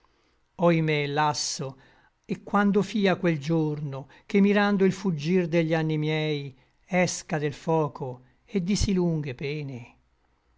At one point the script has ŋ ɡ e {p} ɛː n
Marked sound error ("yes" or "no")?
no